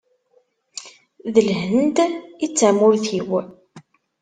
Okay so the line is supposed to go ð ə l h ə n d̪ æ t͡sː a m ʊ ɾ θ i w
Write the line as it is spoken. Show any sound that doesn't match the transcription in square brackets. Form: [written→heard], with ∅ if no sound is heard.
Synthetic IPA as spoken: ð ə l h ə n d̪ [æ→i] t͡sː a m ʊ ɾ θ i w